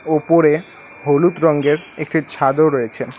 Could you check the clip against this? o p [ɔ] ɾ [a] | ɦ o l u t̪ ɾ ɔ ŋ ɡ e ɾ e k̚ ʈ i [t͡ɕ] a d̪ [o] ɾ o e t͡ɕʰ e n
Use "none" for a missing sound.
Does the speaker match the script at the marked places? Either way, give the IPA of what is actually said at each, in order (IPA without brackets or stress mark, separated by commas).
o, e, t͡ɕʰ, o